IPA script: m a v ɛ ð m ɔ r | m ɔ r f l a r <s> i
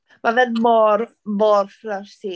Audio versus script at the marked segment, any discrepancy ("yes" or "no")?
no